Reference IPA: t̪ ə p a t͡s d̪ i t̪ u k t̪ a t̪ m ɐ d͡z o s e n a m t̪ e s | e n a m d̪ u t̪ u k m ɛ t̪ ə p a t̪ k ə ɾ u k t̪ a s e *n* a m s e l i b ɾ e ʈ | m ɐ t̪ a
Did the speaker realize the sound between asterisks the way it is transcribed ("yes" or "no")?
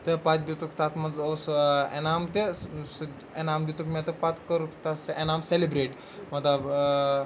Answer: yes